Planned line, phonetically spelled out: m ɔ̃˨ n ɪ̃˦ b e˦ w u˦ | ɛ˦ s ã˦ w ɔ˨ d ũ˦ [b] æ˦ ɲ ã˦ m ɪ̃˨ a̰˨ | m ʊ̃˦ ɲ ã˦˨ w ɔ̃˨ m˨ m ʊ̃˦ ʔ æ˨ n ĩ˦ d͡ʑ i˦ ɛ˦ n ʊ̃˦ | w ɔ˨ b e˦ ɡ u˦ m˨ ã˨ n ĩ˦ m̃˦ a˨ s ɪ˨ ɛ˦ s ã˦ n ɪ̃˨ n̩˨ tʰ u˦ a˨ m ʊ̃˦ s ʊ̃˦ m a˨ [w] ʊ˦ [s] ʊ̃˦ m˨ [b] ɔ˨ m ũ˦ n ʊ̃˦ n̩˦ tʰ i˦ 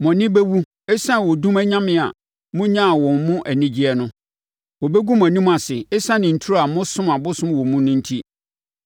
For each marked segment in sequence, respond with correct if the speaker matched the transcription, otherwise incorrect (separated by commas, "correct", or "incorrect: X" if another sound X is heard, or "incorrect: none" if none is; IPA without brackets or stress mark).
incorrect: m, incorrect: b, correct, incorrect: w